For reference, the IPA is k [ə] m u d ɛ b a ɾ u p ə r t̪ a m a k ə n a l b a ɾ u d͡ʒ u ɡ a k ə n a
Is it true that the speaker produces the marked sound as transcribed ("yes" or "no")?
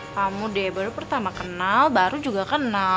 no